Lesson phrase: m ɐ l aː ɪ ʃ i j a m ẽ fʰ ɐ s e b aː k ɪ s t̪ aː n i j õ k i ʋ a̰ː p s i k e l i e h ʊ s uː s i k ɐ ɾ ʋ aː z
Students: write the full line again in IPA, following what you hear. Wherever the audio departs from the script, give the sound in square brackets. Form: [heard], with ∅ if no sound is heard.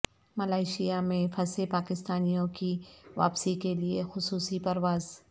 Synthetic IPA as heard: m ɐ l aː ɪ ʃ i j a m ẽ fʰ ɐ s e [p] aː k ɪ s t̪ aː n i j õ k i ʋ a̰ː p s i k e l i e [x] ʊ s uː s i [p] ɐ ɾ ʋ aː z